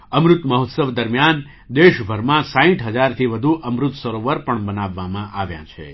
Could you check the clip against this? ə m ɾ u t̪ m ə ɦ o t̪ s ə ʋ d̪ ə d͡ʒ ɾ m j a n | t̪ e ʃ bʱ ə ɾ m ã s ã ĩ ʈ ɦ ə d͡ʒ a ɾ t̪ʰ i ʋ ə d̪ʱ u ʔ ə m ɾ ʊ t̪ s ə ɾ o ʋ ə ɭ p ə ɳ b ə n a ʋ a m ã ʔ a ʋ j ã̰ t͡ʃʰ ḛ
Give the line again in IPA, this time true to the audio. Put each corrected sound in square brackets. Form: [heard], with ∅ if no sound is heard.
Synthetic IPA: ə m ɾ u t̪ m ə ɦ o t̪ s ə ʋ d̪ ə [∅] ɾ m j a n | [d̪] e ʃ bʱ ə ɾ m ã s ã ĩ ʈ ɦ ə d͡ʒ a ɾ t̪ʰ i ʋ ə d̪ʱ u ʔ ə m ɾ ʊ t̪ s ə ɾ o ʋ ə [ɾ] p ə ɳ b ə n a [ʋː] a m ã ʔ a ʋ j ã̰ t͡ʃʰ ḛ